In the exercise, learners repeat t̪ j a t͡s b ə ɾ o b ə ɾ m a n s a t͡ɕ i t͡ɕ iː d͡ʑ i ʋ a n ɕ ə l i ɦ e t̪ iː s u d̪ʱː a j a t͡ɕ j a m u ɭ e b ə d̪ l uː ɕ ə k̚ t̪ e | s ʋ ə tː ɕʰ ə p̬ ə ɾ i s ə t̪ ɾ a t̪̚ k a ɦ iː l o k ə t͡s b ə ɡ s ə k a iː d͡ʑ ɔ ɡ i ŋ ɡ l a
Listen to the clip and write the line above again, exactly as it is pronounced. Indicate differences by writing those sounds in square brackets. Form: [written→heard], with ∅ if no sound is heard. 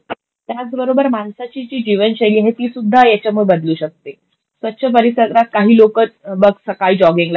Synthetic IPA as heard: t̪ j a t͡s b ə ɾ o b ə ɾ m a n s a t͡ɕ i t͡ɕ iː d͡ʑ i ʋ [a→ə] n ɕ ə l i ɦ e t̪ iː s u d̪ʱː a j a t͡ɕ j a m u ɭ e b ə d̪ l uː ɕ ə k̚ t̪ e | s ʋ ə tː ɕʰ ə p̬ ə ɾ i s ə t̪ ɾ a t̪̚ k a ɦ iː l o k ə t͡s b ə ɡ s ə k a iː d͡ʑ ɔ ɡ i ŋ ɡ l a